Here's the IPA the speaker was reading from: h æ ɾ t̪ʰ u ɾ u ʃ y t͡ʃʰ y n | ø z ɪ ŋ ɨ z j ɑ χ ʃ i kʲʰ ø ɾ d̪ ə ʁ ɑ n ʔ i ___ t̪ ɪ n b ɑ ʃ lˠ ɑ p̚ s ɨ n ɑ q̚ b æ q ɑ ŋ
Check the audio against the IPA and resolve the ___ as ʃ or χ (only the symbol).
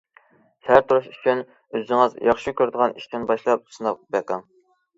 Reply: ʃ